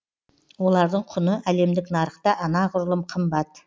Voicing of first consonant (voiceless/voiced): voiced